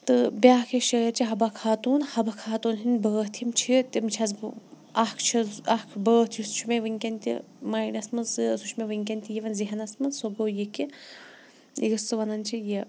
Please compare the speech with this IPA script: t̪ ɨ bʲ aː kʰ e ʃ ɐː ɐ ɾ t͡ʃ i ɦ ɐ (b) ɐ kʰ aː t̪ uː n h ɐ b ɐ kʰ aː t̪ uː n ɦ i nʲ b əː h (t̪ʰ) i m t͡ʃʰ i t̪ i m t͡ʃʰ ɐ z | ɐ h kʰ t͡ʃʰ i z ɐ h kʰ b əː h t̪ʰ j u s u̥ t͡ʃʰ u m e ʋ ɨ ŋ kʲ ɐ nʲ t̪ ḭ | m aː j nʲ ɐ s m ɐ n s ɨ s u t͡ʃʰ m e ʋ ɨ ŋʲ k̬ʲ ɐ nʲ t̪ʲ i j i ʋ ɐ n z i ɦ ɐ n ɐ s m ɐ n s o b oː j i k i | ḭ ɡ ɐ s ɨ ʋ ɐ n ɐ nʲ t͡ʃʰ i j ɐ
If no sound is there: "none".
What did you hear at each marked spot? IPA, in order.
b, t̪ʰ

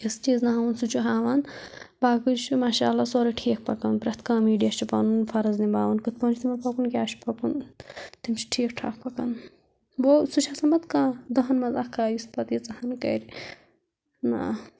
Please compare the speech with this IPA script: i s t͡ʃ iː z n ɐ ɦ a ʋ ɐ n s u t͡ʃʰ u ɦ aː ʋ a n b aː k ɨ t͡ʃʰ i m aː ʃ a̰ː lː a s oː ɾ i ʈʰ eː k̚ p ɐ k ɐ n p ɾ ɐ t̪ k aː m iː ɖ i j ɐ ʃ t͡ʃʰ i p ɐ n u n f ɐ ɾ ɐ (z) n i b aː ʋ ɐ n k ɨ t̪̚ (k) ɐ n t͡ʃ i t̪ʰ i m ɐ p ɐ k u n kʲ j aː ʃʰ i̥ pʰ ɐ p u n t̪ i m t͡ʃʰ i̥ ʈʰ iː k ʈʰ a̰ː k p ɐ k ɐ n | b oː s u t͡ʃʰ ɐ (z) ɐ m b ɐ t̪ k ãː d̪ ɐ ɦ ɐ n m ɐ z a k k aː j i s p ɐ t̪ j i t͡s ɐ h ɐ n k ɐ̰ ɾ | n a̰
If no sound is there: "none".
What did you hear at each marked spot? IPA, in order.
z, p, s

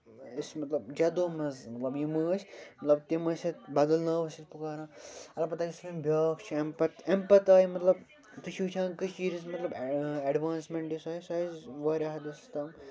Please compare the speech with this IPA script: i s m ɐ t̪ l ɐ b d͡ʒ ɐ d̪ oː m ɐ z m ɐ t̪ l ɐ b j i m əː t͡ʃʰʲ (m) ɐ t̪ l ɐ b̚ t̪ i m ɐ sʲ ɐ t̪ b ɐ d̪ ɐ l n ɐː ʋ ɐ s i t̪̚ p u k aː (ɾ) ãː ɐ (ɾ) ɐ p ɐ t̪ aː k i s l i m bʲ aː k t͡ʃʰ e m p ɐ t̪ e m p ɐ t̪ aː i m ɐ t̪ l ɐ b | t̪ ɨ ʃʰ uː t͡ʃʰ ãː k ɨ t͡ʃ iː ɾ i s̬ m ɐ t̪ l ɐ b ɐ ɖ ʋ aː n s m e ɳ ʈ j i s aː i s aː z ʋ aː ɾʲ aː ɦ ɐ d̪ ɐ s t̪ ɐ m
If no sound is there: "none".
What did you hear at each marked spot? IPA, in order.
m, ɾ, l

